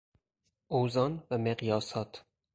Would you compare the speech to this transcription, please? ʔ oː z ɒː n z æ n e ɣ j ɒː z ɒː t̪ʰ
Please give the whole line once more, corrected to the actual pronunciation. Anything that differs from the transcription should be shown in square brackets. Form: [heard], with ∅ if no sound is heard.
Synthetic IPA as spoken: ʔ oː z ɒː n [v] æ [m] e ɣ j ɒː [s] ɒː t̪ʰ